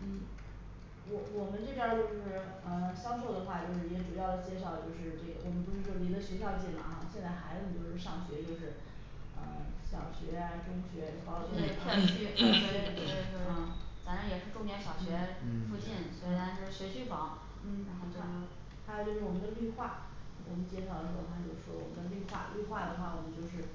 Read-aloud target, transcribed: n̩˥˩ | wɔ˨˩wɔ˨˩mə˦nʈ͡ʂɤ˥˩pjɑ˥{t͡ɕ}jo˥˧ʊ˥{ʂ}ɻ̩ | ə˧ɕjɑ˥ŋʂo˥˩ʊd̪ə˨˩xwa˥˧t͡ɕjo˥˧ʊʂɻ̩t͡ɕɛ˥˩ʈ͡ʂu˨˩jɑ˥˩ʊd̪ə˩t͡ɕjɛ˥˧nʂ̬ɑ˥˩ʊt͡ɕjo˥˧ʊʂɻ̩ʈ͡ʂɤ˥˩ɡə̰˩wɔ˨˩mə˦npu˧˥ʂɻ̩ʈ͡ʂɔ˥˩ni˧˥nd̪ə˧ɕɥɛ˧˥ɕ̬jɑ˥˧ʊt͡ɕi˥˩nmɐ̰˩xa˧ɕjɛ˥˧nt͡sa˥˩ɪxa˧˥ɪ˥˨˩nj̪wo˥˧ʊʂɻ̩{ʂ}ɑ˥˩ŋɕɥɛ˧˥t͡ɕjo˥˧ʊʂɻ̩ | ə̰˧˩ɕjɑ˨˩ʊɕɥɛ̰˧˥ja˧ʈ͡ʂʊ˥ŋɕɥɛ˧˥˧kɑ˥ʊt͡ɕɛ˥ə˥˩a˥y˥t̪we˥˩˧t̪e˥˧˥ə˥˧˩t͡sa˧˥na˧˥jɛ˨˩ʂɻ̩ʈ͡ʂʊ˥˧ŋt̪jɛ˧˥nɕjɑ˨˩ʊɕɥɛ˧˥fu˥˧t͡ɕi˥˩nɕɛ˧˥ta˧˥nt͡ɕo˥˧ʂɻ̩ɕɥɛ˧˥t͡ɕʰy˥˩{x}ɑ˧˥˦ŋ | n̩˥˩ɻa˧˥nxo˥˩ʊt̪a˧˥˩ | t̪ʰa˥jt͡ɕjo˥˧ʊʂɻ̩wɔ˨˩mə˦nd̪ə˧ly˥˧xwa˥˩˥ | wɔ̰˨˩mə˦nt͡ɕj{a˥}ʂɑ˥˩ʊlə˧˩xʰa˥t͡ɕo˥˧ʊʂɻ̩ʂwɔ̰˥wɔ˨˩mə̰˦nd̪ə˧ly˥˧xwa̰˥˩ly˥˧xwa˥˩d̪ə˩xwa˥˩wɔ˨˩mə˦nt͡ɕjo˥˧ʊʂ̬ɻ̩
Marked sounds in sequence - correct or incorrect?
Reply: correct, correct, correct, incorrect, incorrect

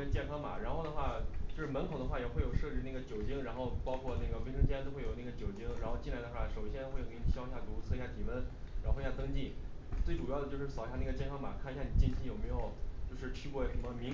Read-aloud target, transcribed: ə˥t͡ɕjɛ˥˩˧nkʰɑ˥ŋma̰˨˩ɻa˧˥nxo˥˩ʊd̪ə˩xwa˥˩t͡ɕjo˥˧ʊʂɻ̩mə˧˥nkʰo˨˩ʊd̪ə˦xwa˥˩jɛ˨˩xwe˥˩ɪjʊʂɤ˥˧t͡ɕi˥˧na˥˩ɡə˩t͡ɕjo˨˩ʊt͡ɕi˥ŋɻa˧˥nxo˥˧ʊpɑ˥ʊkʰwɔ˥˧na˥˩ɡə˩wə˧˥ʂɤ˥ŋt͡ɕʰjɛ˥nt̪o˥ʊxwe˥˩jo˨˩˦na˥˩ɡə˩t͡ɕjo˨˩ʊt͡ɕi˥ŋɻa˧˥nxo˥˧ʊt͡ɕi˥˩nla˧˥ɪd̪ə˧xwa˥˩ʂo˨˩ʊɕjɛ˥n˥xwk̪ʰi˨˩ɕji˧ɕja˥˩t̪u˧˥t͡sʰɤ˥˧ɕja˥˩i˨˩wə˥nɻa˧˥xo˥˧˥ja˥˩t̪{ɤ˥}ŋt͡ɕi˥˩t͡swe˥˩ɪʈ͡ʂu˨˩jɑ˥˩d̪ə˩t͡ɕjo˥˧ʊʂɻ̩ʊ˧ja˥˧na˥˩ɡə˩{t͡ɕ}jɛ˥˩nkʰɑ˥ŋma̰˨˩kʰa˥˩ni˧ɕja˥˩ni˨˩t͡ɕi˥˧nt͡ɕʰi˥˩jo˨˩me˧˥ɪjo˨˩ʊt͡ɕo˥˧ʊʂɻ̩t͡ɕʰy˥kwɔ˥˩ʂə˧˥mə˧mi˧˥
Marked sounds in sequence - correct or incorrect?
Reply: correct, correct

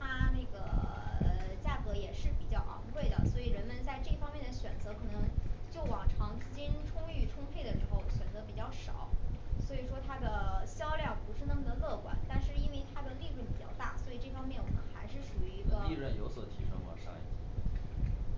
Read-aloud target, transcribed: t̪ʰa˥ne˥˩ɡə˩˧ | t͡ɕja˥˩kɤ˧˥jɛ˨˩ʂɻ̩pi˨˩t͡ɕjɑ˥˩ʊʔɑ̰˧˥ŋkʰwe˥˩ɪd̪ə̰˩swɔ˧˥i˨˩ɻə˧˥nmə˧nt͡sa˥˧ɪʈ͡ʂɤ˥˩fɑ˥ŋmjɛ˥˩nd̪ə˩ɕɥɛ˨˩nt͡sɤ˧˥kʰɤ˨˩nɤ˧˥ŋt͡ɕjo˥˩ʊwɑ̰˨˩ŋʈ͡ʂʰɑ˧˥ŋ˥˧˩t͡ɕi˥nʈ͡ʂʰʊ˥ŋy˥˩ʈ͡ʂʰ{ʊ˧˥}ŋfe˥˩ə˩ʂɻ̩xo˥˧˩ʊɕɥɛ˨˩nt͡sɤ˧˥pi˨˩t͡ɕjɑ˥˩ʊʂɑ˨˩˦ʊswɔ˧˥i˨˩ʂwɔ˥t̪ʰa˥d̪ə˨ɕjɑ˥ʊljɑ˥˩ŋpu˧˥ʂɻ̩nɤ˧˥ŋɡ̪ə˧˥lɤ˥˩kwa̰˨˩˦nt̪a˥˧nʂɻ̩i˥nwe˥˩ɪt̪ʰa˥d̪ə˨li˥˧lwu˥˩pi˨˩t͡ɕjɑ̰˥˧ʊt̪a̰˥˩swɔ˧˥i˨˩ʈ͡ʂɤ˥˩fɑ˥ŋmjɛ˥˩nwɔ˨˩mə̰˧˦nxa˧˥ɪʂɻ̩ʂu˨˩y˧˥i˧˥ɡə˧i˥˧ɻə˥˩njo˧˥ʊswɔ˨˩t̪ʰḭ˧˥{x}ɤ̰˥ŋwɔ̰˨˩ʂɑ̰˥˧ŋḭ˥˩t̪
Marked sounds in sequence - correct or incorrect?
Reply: incorrect, incorrect

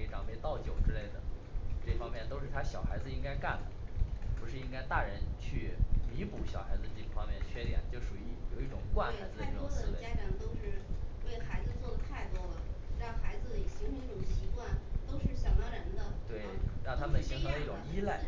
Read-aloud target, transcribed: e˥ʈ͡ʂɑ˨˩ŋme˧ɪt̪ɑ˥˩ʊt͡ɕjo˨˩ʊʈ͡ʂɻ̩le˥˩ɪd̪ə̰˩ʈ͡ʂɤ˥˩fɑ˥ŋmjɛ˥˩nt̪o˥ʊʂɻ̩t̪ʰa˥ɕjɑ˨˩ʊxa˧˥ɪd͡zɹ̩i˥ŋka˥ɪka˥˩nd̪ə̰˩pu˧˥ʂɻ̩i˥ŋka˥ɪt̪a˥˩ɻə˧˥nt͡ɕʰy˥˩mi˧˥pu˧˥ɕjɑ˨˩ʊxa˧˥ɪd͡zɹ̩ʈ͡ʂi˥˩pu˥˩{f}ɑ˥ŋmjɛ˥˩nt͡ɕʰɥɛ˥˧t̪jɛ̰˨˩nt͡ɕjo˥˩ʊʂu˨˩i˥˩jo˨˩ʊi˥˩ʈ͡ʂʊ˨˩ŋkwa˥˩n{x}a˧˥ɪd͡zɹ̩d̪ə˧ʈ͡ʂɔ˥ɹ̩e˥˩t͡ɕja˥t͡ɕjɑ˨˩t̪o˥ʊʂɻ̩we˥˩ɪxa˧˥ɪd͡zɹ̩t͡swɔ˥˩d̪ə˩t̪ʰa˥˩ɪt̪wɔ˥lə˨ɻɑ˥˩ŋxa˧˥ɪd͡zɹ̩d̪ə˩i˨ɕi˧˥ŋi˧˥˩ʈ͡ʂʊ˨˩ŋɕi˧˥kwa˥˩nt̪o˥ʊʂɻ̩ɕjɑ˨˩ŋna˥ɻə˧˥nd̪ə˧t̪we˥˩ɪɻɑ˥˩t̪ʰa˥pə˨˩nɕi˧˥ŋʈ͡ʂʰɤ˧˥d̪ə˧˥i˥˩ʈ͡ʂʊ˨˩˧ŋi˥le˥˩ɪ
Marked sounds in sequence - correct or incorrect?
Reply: correct, correct

